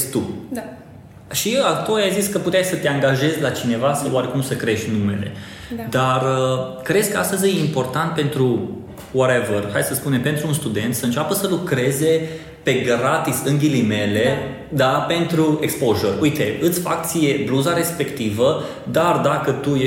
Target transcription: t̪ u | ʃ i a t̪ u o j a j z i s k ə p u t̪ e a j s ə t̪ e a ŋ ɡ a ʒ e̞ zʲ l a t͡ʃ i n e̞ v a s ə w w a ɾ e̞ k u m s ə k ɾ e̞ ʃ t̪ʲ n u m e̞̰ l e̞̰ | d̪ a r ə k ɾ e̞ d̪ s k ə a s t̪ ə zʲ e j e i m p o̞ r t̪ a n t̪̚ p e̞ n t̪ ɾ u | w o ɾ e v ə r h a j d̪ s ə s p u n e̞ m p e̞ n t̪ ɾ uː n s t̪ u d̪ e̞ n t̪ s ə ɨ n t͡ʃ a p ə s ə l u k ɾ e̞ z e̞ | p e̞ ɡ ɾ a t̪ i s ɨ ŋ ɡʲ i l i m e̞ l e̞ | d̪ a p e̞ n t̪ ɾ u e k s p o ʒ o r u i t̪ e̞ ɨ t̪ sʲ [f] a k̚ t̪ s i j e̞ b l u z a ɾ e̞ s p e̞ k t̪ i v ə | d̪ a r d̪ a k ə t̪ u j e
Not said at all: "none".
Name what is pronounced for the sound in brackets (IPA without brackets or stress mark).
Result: f